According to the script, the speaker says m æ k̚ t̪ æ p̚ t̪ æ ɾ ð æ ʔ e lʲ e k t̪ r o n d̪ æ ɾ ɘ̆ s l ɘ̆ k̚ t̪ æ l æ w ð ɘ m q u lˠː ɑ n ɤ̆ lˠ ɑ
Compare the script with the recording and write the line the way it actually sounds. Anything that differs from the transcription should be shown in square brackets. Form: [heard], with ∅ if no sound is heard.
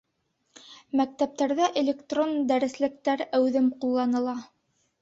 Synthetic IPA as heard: m æ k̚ t̪ æ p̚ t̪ æ ɾ ð æ ʔ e lʲ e k t̪ r o n d̪ æ ɾ ɘ̆ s l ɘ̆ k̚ t̪ æ [ɾ] æ w ð ɘ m q u lˠː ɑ n ɤ̆ lˠ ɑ